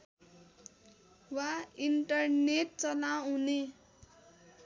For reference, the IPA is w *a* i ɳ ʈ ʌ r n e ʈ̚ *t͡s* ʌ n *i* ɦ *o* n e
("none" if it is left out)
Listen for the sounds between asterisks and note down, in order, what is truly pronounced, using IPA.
a, t͡s, a, u

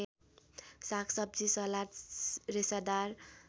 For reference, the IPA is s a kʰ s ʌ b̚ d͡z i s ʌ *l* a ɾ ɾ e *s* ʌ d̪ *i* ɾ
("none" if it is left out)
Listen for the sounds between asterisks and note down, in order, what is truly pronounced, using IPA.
l, s, a

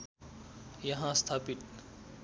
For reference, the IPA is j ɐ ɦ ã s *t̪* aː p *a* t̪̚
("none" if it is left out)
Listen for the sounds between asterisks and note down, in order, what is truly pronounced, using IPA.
t̪ʰ, i

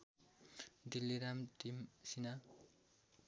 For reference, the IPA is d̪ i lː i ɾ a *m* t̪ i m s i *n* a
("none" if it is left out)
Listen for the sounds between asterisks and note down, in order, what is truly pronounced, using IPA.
m, n

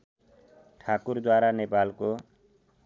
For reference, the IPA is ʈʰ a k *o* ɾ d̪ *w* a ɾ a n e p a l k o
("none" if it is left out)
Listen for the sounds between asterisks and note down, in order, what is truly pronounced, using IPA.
u, w

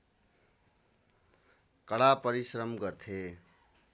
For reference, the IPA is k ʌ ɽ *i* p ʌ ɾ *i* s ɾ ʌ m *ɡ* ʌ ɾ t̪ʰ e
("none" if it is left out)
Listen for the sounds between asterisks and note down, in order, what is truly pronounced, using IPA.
a, i, ɡ

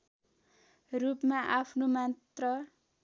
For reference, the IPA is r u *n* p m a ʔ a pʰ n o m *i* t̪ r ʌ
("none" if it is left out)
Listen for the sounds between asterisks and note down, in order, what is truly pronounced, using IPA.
none, a

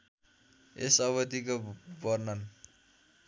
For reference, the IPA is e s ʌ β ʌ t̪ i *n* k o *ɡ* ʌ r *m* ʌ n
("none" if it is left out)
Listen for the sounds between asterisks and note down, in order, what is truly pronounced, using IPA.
none, b, n

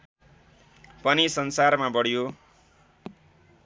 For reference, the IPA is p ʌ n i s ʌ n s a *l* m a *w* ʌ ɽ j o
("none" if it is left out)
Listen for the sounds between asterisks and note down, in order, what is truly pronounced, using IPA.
r, b

